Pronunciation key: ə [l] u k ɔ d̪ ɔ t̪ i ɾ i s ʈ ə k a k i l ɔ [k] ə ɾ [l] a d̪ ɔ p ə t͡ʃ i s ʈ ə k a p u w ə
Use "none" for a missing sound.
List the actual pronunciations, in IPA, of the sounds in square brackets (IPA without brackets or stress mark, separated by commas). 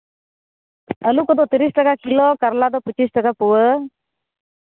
l, k, l